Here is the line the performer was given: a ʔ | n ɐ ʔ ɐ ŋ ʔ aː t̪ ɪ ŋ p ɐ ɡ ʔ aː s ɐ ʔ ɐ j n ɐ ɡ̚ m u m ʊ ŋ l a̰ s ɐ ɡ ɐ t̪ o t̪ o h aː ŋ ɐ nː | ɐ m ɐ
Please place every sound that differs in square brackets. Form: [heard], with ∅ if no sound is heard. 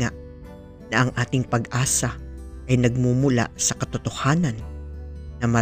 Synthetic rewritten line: a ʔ | n ɐ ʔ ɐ ŋ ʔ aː t̪ ɪ ŋ p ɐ ɡ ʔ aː s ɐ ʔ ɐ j n ɐ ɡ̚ m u m ʊ [∅] l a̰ s ɐ [k] ɐ t̪ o t̪ o h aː [n] ɐ nː | ɐ m ɐ